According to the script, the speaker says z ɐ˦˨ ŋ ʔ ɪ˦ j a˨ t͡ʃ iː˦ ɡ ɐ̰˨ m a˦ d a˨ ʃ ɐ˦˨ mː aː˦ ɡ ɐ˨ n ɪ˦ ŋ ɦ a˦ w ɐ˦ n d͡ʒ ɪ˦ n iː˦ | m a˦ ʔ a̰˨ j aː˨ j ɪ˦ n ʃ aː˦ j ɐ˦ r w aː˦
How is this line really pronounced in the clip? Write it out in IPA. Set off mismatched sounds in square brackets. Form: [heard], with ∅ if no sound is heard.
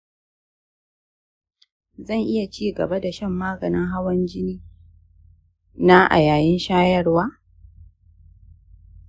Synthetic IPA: z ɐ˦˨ ŋ ʔ ɪ˦ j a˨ t͡ʃ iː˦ ɡ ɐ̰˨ [b] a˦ d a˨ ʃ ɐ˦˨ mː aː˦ ɡ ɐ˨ n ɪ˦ ŋ ɦ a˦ w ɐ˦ n d͡ʒ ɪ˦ n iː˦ | [n] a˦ ʔ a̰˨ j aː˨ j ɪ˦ n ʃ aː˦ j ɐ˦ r w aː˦